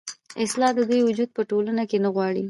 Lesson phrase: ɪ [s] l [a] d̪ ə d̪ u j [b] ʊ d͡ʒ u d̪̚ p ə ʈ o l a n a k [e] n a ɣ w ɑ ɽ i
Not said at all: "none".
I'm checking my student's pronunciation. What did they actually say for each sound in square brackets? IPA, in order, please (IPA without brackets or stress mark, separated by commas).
s, ɑ, w, e